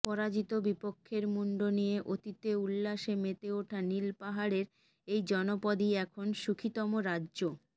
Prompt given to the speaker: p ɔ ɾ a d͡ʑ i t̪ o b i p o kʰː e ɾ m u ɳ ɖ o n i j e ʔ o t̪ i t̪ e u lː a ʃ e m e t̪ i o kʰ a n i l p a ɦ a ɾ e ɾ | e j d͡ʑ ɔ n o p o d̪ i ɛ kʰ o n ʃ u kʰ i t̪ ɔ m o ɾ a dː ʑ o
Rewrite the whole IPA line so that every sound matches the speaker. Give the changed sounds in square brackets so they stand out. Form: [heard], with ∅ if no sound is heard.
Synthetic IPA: p ɔ ɾ a d͡ʑ i t̪ o b i p o kʰː e ɾ m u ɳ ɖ o n i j e ʔ o t̪ i t̪ e u lː a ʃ e m e t̪ [e] o [ʈʰ] a n i l p a ɦ a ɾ e ɾ | e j d͡ʑ ɔ n o p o d̪ i ɛ kʰ o n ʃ u kʰ i t̪ ɔ m o ɾ a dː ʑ o